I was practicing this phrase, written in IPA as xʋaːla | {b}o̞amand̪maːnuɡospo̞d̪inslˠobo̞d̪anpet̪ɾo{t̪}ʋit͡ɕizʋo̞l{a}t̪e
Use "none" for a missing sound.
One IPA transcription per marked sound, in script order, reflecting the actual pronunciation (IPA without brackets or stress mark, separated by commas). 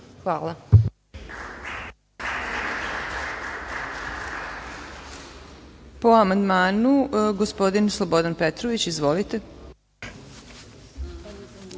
p, none, i